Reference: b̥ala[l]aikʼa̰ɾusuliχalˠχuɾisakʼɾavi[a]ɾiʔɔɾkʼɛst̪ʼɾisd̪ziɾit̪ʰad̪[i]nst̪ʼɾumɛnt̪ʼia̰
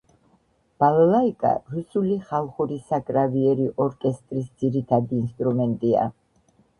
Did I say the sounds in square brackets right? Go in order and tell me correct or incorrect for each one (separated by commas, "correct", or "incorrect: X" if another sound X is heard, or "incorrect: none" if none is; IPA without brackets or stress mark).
correct, incorrect: ɛ, incorrect: iː